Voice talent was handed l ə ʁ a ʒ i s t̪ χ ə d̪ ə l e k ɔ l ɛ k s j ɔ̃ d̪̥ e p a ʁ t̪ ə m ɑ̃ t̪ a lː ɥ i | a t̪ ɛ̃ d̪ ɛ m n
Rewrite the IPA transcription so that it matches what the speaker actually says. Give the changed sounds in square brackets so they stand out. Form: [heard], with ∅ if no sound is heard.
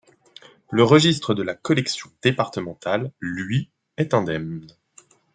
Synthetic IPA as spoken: l ə ʁ [ə] ʒ i s t̪ χ ə d̪ ə l [a] k ɔ l ɛ k s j ɔ̃ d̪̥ e p a ʁ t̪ ə m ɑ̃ t̪ a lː ɥ i | [ɛ] t̪ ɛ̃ d̪ ɛ m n